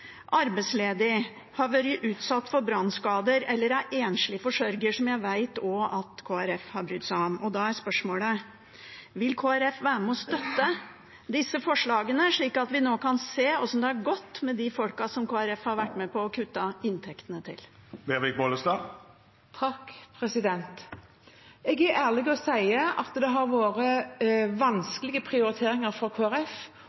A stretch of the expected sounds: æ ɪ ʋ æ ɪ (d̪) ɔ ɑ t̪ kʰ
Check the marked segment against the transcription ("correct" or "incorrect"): incorrect